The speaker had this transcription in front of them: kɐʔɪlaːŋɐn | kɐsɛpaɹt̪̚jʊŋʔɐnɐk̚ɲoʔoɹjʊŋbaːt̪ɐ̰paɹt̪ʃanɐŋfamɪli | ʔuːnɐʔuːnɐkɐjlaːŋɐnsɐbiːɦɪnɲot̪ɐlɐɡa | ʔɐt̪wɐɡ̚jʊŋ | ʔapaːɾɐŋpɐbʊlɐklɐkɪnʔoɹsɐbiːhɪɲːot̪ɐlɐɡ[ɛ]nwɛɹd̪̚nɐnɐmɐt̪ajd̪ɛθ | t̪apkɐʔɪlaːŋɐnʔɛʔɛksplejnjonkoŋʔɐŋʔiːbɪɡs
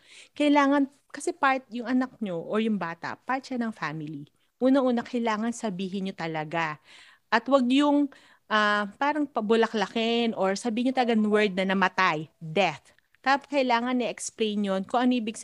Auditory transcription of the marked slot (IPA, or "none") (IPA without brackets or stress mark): a